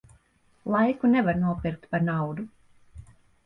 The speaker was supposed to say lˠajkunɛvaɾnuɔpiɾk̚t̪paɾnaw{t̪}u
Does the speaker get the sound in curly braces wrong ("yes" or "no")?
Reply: yes